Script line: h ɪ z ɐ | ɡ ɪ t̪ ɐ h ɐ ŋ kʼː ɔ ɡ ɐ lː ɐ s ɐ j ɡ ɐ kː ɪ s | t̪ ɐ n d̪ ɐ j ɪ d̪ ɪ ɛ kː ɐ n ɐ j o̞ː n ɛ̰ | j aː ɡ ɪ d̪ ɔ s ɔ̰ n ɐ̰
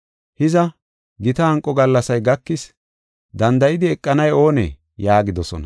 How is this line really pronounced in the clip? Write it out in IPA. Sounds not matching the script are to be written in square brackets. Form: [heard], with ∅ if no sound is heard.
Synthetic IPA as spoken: h ɪ z ɐ | ɡ ɪ t̪ ɐ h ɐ ŋ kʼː ɔ ɡ ɐ lː ɐ s ɐ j ɡ ɐ kː ɪ s | [d̪] ɐ n d̪ ɐ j ɪ d̪ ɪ ɛ [kʼː] ɐ n ɐ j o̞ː n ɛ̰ | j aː ɡ ɪ d̪ ɔ s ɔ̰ n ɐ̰